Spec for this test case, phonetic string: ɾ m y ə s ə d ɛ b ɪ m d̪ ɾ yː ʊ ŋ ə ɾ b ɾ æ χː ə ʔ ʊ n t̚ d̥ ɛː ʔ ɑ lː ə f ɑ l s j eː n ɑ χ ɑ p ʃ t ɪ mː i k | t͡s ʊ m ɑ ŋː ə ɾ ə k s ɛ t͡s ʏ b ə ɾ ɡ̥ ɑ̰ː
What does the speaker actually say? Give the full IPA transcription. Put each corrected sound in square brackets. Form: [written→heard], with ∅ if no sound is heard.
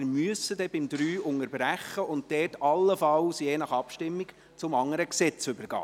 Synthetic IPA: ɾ m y ə s ə d ɛ b ɪ m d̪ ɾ yː ʊ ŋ ə ɾ b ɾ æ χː ə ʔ ʊ n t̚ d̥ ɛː [ʔ→t] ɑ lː ə f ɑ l s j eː n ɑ χ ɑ p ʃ t ɪ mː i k | t͡s ʊ m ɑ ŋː ə ɾ ə k s ɛ t͡s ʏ b ə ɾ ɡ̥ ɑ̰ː